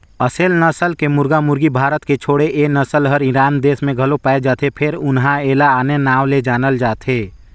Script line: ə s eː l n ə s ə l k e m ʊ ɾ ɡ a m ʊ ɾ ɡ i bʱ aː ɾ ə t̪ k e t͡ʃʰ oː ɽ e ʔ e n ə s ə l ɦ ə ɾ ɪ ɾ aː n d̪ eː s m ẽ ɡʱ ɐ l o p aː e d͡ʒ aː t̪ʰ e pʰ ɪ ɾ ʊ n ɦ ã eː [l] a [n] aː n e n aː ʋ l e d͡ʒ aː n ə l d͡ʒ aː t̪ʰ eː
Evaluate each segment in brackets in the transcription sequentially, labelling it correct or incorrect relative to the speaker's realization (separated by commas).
correct, incorrect